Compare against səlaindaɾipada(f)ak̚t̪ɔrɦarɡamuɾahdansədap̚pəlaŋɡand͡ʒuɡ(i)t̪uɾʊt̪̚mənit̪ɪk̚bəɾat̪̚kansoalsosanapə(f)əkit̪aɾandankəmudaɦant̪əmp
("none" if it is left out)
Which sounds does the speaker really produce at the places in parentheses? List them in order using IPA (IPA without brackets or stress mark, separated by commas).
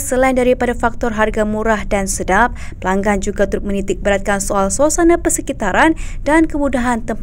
f, a, s